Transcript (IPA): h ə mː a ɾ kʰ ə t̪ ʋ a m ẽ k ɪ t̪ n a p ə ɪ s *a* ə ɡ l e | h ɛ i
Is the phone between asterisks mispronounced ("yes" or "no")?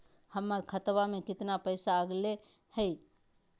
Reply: no